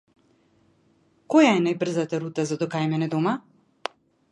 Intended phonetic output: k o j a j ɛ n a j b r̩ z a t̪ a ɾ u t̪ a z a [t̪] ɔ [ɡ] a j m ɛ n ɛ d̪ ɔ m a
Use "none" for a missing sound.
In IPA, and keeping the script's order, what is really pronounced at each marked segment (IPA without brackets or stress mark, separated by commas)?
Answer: d̪, k